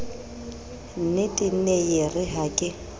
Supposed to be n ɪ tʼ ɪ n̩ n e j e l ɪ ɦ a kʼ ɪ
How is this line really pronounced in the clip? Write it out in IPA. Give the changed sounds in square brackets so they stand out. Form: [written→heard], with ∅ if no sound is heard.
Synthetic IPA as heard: n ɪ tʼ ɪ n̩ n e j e [l→r] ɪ ɦ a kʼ ɪ